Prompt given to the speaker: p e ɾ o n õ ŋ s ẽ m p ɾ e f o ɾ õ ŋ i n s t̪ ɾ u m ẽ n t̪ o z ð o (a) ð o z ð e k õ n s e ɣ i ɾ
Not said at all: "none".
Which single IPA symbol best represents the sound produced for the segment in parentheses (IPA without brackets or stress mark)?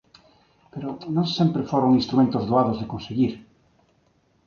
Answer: a